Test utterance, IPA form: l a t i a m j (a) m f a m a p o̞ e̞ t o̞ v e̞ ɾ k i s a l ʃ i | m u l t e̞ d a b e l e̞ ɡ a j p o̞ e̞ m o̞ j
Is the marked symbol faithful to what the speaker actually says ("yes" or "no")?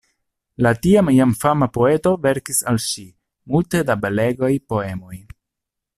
yes